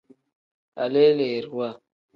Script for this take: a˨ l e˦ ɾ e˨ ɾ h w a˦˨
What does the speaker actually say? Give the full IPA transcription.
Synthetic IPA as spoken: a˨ l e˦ l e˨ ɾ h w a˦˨